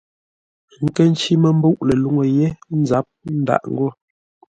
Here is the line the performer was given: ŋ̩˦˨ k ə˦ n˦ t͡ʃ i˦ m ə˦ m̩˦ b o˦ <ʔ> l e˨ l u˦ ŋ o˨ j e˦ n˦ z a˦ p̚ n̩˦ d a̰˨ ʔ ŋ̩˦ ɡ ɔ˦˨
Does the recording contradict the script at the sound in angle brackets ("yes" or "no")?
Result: no